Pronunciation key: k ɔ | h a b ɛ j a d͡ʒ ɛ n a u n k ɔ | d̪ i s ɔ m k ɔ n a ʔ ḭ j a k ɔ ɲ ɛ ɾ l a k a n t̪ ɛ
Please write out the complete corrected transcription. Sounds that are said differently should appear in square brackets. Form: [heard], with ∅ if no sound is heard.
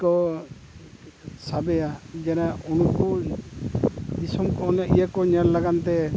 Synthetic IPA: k ɔ | [s] a b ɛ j a d͡ʒ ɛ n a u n k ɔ | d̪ i s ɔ m k ɔ n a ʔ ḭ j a k ɔ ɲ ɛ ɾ l a [ɡ] a n t̪ ɛ